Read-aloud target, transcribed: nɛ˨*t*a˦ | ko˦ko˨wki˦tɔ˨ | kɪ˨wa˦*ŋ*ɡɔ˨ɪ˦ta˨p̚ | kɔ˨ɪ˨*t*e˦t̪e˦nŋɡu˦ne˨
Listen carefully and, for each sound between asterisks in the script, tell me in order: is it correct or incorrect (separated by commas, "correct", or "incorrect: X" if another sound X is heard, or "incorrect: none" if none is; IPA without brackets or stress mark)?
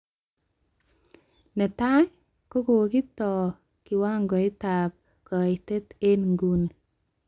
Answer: correct, correct, correct